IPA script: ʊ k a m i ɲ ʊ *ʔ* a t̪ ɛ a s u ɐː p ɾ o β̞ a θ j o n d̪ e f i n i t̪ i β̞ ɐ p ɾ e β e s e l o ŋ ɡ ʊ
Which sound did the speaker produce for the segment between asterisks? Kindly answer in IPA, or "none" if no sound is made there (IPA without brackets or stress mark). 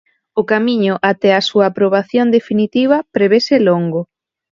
ʔ